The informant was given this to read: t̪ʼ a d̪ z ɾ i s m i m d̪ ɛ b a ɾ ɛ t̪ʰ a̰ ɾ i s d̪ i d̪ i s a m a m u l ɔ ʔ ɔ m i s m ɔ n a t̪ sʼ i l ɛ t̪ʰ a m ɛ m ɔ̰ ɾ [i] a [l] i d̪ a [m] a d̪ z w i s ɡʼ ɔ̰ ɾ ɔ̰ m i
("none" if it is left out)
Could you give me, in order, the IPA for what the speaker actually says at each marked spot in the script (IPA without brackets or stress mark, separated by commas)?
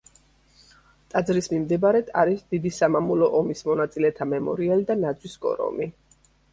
i, l, n